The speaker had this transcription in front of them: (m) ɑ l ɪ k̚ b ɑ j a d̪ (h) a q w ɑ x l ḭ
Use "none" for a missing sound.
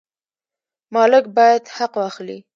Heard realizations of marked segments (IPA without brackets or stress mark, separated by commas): m, h